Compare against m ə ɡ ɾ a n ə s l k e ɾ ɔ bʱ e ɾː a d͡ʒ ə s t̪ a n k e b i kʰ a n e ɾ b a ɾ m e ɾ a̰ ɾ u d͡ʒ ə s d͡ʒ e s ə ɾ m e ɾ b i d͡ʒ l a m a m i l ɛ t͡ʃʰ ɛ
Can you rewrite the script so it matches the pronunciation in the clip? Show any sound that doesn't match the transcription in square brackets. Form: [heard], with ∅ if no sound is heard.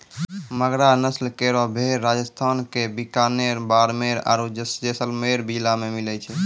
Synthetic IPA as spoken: m ə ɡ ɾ a n ə s l k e ɾ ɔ bʱ e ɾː a d͡ʒ ə s [t̪ʰ] a n k e b i [k] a n e ɾ b a ɾ m e ɾ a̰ ɾ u d͡ʒ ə s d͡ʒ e s ə [l] m e ɾ b i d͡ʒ l a m [e] m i l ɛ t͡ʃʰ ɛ